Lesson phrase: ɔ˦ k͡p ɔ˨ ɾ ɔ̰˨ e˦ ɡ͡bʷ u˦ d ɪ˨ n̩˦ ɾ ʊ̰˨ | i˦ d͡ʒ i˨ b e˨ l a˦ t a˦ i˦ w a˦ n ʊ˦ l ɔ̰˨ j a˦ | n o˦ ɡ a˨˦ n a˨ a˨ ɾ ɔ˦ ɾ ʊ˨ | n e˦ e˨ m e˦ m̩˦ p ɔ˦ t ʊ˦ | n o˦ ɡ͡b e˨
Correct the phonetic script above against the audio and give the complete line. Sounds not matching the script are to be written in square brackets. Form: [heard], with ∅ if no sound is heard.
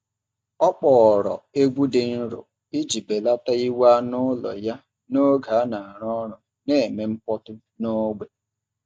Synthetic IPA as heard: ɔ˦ k͡p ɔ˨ ɾ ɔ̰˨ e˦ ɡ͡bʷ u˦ d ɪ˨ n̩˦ ɾ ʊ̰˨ | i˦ d͡ʒ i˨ b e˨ l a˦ t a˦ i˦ w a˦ n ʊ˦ l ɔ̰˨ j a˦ | n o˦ ɡ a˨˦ n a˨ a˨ ɾ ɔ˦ ɾ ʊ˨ | n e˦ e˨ m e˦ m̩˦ p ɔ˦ t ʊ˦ | n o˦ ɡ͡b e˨